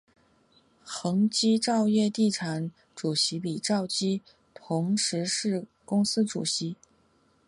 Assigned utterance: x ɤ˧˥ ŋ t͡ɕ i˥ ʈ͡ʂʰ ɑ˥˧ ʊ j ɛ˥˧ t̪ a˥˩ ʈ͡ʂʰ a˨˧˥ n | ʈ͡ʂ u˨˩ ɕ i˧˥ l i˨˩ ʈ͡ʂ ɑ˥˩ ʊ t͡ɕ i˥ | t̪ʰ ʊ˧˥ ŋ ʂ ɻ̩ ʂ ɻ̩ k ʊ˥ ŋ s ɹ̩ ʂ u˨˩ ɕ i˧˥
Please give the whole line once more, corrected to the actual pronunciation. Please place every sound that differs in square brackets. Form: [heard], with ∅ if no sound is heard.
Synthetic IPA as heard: x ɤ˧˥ ŋ t͡ɕ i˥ [ʈ͡ʂ] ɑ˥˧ ʊ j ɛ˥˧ t̪ [i˥˩] ʈ͡ʂʰ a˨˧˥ n | ʈ͡ʂ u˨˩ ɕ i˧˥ l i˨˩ ʈ͡ʂ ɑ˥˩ ʊ t͡ɕ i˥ | t̪ʰ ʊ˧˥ ŋ ʂ ɻ̩ ʂ ɻ̩ k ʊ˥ ŋ s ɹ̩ [ʈ͡ʂ] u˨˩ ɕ i˧˥